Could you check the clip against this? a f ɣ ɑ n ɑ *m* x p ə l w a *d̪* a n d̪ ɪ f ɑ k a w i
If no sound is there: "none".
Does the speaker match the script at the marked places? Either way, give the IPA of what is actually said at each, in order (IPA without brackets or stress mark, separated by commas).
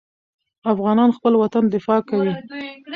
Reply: n, t̪